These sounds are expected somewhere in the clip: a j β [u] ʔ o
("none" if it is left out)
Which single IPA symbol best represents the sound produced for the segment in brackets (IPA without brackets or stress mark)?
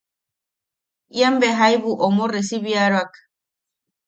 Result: u